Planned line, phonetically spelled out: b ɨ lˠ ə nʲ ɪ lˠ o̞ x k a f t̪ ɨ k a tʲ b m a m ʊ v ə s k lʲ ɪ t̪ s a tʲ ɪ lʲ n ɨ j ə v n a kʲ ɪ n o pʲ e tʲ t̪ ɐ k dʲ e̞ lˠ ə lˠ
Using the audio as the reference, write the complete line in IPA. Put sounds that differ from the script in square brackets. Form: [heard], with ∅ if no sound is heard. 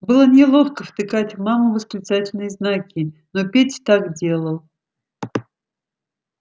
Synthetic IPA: b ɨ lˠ ə nʲ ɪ lˠ o̞ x k [ə] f t̪ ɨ k a tʲ [v] m a m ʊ v ə s k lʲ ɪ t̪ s a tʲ ɪ lʲ n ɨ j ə [z] n a kʲ ɪ n o pʲ e tʲ t̪ [a] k dʲ e̞ lˠ ə lˠ